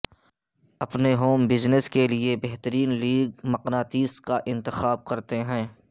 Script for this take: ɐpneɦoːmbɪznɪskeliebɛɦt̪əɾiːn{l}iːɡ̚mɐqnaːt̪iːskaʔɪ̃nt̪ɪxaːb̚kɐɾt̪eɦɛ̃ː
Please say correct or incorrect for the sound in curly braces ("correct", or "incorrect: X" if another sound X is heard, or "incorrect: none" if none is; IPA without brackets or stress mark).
correct